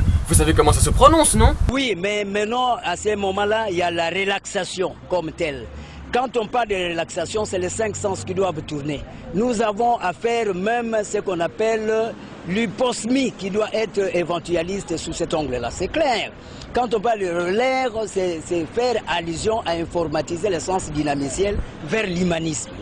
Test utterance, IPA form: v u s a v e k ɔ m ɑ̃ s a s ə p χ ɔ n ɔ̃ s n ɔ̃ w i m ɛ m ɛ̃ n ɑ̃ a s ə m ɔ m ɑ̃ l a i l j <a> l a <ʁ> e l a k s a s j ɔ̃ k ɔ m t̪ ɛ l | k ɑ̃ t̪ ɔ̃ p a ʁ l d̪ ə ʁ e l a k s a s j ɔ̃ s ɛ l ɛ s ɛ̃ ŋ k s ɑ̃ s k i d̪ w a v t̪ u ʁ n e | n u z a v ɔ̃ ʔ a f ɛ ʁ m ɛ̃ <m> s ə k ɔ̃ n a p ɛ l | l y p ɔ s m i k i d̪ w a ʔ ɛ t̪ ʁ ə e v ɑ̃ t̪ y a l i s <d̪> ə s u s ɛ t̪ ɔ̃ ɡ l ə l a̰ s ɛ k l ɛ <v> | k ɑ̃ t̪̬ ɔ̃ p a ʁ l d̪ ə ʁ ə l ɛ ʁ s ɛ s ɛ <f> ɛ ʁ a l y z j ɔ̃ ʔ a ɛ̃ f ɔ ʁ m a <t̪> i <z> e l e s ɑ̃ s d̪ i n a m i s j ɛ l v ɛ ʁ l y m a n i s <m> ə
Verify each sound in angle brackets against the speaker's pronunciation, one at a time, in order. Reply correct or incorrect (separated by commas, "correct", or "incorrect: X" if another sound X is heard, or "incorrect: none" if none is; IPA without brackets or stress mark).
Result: correct, correct, correct, incorrect: t̪, incorrect: ʁ, correct, correct, correct, correct